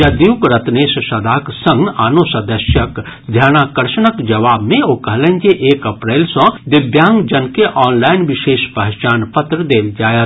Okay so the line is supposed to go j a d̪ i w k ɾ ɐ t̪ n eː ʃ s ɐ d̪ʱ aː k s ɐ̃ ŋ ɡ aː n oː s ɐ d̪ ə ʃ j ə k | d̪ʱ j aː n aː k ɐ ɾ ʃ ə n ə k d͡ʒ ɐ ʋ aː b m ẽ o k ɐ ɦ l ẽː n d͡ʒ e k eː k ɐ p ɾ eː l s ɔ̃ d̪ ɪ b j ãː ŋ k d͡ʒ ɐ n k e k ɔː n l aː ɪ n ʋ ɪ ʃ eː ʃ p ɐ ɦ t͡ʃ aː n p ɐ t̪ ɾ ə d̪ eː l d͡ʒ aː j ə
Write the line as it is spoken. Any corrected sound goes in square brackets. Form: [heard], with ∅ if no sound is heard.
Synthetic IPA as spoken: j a d̪ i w k ɾ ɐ t̪ n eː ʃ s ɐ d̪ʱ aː k s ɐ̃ ŋ ɡ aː n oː s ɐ d̪ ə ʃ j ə k | d̪ʱ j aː n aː k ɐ ɾ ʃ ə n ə k d͡ʒ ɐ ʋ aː b m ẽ o k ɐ ɦ l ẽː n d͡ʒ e [ʔ] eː k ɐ p ɾ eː l s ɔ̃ d̪ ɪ b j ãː ŋ [ɡ] d͡ʒ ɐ n k e [ʔ] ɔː n l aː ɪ n ʋ ɪ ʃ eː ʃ p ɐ ɦ t͡ʃ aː n p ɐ t̪ ɾ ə d̪ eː l d͡ʒ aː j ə